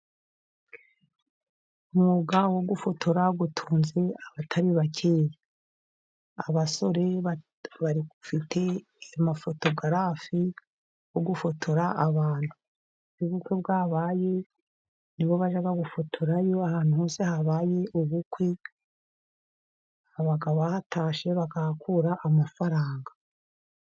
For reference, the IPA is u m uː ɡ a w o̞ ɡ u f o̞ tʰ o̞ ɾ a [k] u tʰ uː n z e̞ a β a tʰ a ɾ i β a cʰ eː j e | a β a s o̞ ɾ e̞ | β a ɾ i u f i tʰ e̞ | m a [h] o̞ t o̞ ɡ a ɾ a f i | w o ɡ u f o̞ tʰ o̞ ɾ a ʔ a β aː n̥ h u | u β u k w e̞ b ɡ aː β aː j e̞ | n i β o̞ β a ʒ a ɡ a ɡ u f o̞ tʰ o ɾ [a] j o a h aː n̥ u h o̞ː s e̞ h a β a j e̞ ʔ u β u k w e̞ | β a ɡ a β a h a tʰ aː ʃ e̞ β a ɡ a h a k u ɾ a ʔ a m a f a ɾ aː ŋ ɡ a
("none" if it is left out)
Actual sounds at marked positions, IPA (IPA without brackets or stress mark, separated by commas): ɡ, f, a